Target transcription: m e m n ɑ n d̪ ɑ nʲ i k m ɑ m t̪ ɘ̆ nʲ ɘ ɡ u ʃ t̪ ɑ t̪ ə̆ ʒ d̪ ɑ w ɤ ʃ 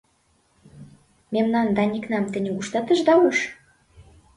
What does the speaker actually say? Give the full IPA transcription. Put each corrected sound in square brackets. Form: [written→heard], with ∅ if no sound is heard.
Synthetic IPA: m e m n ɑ n d̪ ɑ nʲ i k [m→n] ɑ m t̪ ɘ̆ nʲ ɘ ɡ u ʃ t̪ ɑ t̪ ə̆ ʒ d̪ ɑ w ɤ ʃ